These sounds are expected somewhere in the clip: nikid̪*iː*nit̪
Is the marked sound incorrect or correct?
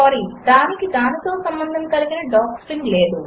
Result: incorrect